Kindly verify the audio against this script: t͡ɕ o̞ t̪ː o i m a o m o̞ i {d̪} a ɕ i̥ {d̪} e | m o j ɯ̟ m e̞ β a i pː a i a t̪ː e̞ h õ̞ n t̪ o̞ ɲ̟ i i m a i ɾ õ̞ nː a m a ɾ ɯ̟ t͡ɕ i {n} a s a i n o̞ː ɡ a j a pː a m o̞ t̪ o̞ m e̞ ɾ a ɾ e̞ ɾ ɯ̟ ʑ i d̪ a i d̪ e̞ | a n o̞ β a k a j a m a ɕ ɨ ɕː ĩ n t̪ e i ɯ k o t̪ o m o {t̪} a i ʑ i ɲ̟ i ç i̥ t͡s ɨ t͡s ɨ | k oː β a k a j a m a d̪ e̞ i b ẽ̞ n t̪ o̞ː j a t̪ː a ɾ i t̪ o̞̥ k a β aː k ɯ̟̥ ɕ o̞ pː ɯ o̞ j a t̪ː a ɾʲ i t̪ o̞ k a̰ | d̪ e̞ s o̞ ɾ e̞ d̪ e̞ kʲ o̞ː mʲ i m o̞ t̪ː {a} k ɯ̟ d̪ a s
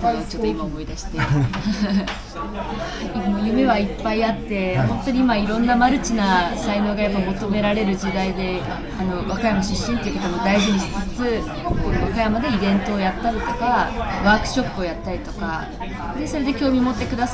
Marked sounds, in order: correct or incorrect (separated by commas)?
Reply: correct, incorrect, correct, incorrect, incorrect